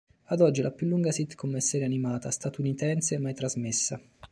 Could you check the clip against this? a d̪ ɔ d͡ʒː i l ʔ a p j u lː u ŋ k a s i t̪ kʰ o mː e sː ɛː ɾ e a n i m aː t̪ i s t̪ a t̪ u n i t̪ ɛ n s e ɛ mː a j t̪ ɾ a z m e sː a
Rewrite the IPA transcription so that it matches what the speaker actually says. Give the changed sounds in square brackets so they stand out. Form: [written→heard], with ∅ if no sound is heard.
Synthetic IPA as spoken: a d̪ ɔ d͡ʒː i l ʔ a p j u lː u ŋ [k→ɡ] a s i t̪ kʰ o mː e sː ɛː ɾ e a n i m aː t̪ [i→a] s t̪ a t̪ u n i t̪ ɛ n s e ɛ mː a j t̪ ɾ a z m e sː a